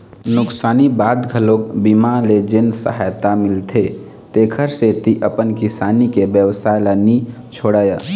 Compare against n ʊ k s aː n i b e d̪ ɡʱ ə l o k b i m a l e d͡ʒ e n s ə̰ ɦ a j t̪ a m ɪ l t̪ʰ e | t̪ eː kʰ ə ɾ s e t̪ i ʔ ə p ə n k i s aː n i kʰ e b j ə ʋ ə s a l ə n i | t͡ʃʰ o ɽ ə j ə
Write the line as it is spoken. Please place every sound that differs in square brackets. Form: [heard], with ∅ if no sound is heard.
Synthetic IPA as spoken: n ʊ k s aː n i b [a] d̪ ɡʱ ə l o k b i m a l e d͡ʒ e n s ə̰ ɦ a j t̪ a m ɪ l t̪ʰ e | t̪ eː kʰ ə ɾ s e t̪ i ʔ ə p ə n k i s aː n i [k] e b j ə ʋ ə s a l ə n i | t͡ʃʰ o ɽ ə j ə